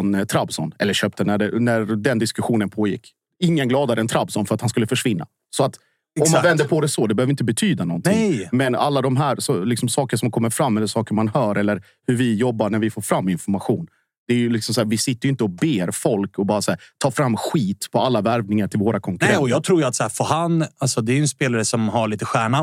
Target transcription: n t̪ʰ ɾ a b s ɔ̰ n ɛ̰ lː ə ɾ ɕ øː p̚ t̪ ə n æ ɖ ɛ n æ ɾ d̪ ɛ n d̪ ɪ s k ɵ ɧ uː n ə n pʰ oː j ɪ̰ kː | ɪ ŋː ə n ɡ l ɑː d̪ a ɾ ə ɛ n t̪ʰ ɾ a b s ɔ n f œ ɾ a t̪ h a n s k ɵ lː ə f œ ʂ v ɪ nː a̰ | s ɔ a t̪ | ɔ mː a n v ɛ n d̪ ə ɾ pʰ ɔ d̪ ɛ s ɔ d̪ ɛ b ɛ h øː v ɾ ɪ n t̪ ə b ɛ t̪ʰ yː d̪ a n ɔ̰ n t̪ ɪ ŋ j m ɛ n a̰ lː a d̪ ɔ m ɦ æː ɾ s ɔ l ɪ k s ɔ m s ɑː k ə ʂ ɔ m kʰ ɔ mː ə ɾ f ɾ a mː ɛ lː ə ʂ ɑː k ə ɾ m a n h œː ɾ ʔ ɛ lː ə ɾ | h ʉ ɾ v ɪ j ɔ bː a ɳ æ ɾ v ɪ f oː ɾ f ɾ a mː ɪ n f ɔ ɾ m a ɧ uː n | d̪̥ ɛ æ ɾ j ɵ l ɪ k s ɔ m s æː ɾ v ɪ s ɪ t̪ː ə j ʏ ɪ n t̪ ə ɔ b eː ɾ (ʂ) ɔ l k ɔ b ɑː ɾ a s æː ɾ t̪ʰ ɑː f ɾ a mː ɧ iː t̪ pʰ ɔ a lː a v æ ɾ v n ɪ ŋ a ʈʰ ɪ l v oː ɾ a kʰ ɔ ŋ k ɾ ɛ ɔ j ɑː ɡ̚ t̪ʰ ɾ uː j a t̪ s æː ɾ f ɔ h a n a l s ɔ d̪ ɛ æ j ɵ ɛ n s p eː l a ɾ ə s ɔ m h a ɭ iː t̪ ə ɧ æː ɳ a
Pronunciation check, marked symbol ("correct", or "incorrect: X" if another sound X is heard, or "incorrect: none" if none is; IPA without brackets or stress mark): incorrect: f